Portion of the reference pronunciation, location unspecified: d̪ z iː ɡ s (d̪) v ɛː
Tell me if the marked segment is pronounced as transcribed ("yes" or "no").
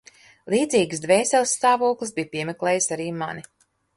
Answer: yes